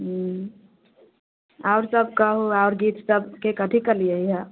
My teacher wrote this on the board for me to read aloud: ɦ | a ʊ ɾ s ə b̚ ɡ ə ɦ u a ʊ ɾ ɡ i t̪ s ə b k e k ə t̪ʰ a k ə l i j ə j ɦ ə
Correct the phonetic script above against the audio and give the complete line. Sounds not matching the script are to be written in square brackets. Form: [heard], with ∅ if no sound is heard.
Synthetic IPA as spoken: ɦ | a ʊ ɾ s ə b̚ [k] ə ɦ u a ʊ ɾ ɡ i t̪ s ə b k e k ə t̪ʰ [i] k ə l i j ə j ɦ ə